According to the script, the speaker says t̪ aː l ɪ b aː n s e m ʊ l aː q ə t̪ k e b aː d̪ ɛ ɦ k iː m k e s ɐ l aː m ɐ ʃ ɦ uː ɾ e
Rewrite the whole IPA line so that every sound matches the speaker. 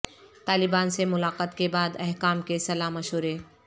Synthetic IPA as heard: t̪ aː l ɪ b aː n s e m ʊ l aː q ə t̪ k e b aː d̪ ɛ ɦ k aː m k e s ɐ l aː m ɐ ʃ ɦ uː ɾ e